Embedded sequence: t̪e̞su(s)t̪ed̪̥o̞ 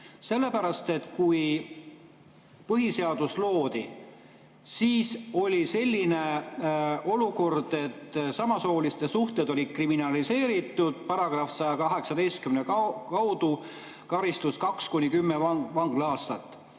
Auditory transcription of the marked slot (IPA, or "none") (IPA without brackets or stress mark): h